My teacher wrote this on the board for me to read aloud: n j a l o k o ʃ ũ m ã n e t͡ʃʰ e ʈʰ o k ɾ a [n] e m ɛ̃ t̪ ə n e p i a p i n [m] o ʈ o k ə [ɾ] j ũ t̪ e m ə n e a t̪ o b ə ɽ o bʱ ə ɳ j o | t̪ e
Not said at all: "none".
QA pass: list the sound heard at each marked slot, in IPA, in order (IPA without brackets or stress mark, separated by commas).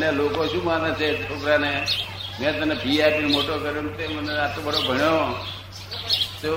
n, m, ɾ